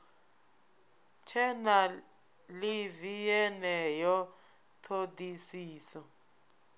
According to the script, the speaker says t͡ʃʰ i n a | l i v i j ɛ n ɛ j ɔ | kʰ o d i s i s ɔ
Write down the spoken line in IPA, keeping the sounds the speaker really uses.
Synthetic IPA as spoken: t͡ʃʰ ɛ n a | l i v i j ɛ n ɛ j ɔ | tʰ o d i s iː s ɔ